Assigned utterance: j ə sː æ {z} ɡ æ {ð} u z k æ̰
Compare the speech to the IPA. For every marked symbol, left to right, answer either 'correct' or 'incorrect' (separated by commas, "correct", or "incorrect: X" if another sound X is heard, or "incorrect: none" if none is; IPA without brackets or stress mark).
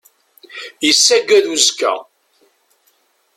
incorrect: none, correct